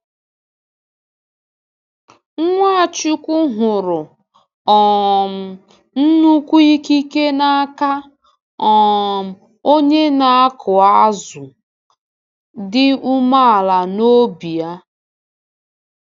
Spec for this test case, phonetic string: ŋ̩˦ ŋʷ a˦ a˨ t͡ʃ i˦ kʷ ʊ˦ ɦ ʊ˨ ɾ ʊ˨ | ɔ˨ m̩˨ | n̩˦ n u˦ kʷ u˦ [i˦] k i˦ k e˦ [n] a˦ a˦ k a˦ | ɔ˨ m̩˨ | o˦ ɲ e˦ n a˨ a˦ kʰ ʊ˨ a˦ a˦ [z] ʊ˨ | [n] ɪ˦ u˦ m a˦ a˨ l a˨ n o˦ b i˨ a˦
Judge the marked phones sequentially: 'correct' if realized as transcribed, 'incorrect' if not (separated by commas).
correct, correct, correct, incorrect